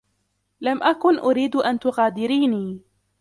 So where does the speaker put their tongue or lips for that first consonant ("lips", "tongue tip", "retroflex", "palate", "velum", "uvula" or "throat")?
tongue tip